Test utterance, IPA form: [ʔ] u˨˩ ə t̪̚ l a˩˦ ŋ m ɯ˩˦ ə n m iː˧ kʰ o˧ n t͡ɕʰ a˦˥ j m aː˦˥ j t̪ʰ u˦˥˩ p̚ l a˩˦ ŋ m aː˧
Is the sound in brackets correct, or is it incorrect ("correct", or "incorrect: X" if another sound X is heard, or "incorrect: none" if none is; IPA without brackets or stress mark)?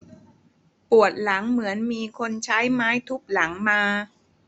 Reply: incorrect: p